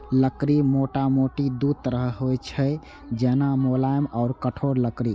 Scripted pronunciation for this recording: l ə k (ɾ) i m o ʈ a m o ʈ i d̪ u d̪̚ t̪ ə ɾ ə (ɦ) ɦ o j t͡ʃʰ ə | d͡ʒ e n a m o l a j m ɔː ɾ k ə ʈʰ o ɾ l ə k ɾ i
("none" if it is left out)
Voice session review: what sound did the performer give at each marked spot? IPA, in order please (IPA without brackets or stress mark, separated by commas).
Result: ɾ, ɦ